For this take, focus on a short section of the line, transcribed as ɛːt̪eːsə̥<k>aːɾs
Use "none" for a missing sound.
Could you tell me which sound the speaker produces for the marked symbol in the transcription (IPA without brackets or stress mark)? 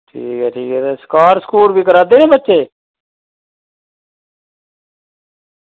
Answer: k